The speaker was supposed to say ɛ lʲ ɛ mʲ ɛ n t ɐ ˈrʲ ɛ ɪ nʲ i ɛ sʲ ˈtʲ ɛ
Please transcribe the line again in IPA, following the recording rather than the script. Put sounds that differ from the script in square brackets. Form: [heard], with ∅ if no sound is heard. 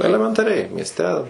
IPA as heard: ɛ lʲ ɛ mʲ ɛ n t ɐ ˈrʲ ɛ ɪ [mʲ] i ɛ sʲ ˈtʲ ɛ